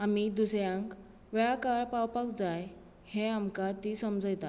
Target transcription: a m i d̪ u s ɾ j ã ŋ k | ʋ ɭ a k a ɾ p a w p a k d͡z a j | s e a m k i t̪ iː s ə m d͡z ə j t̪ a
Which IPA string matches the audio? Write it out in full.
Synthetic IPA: a m i d̪ u s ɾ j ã ŋ k | ʋ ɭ a k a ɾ p a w p a k d͡z a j | h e a m k a t̪ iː s ə m d͡z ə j t̪ a